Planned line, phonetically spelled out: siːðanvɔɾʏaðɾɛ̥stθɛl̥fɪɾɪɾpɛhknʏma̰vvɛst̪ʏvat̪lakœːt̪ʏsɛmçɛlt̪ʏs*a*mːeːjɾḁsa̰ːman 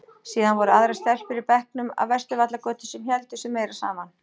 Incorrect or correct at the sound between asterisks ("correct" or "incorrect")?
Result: incorrect